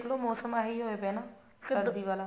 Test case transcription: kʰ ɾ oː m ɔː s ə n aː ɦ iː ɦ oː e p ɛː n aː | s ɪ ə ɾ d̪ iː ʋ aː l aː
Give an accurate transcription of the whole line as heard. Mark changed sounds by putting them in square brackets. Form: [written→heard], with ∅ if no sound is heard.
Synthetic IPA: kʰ [ɾ→l] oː m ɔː s ə [n→m] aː ɦ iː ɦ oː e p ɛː n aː | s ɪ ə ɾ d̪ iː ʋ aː l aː